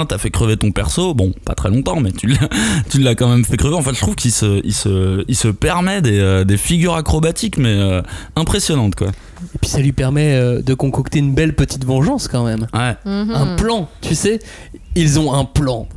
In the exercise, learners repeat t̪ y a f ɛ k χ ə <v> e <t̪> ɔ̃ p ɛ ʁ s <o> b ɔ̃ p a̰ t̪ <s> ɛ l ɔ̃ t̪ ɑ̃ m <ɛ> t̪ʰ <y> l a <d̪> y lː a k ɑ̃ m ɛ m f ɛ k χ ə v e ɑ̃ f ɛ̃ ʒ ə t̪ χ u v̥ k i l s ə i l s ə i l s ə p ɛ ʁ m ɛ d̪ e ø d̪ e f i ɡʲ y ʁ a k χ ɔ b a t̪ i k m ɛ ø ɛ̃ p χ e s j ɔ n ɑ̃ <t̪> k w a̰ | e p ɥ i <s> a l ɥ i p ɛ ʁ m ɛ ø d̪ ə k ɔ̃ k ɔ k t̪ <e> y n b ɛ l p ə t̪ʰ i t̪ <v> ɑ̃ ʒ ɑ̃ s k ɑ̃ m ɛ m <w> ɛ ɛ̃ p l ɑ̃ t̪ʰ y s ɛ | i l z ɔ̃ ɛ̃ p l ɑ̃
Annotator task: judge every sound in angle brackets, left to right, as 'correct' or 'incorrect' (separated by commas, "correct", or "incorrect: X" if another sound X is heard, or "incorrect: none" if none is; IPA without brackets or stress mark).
correct, correct, correct, incorrect: χ, correct, correct, incorrect: t̪, correct, correct, correct, correct, correct